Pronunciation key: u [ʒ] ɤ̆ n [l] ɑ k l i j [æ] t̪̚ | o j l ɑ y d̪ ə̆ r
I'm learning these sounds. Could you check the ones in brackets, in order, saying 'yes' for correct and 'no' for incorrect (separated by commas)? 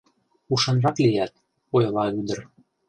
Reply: no, no, yes